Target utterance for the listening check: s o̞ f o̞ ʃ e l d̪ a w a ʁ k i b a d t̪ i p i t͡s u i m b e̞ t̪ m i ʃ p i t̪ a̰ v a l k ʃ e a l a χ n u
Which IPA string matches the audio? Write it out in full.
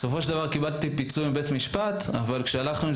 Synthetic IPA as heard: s o̞ f o̞ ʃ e l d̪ a v a ʁ k i b a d t̪ i p i t͡s u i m b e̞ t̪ m i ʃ p a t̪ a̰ v a l k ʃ e a l a χ n u